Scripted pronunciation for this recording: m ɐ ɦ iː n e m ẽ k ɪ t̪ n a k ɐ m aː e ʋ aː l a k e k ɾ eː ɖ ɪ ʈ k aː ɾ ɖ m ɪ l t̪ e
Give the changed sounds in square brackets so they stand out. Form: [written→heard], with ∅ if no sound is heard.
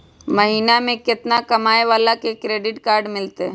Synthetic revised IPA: m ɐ ɦ iː n [e→a] m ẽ k ɪ t̪ n a k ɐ m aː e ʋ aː l a k e k ɾ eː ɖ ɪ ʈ k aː ɾ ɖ m ɪ l t̪ e

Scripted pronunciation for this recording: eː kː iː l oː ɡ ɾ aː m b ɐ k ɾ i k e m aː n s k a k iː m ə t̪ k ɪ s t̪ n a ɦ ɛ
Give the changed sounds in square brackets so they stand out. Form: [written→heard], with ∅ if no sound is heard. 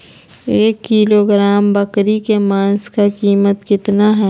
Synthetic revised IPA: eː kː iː l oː ɡ ɾ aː m b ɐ k ɾ i k e m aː n s k a k iː m ə t̪ k ɪ [s→∅] t̪ n a ɦ ɛ

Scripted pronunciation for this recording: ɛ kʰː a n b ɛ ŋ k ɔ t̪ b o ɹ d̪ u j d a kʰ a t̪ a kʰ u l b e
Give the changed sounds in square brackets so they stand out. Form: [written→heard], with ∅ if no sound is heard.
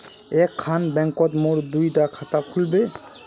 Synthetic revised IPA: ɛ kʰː a n b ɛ ŋ k ɔ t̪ [b→m] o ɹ d̪ u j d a kʰ a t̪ a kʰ u l b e

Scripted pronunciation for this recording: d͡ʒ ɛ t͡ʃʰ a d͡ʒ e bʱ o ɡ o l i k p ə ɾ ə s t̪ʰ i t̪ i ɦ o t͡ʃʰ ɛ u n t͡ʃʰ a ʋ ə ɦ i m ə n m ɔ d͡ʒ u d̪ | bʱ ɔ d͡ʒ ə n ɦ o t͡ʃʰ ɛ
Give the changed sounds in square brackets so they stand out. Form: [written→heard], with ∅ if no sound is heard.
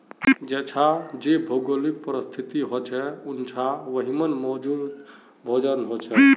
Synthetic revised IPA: d͡ʒ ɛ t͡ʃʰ a d͡ʒ e bʱ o ɡ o l i k p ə ɾ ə s t̪ʰ i t̪ i ɦ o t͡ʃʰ ɛ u n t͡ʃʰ a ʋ ə ɦ i m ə n m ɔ d͡ʒ u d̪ | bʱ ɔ d͡ʒ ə n ɦ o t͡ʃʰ ɛ

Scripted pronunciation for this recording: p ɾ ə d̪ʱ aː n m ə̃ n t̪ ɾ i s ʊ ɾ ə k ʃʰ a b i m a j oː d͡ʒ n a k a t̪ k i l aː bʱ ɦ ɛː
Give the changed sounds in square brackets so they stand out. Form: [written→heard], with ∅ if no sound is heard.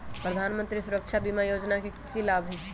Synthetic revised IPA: p ɾ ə d̪ʱ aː n m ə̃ n t̪ ɾ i s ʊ ɾ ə k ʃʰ a b i m a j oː d͡ʒ n a k [a→e] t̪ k i l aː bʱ ɦ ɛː

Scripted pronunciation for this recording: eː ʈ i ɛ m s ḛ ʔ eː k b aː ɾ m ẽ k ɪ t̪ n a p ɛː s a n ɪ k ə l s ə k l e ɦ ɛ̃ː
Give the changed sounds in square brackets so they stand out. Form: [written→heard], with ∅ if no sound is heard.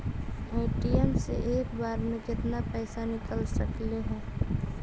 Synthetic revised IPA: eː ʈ i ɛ m s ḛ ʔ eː k b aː ɾ m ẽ k ɪ t̪ n a p ɛː s a n ɪ k ə l s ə k l e ɦ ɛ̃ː

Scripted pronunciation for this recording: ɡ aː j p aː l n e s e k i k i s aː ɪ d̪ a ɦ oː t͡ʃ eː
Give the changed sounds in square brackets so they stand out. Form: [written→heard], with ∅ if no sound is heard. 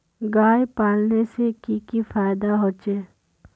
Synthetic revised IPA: ɡ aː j p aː l n e s e k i k i [s→f] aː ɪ d̪ a ɦ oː t͡ʃ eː

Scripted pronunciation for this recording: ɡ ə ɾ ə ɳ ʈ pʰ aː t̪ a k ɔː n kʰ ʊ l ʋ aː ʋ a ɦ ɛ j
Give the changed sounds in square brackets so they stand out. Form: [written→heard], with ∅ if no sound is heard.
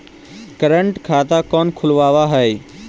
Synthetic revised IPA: [ɡ→k] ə ɾ ə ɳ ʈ [pʰ→kʰ] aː t̪ a k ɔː n kʰ ʊ l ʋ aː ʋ a ɦ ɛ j

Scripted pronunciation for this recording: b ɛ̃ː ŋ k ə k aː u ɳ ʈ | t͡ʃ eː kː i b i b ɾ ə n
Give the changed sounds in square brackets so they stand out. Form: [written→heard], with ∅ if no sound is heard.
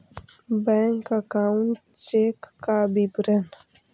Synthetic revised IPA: b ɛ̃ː ŋ k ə k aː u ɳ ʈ | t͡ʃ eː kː [i→a] b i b ɾ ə n

